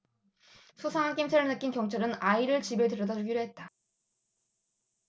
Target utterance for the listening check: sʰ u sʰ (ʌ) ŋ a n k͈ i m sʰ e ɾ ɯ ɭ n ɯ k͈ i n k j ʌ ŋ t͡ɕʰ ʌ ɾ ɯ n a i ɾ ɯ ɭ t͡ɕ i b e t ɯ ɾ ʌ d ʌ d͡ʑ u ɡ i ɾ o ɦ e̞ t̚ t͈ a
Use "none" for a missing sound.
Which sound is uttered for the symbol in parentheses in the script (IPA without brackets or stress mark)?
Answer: a